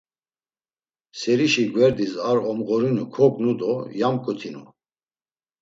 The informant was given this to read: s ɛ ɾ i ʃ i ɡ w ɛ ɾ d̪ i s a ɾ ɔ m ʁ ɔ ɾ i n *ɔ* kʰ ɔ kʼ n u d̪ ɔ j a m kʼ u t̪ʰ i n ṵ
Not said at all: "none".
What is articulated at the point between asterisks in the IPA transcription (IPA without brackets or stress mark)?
u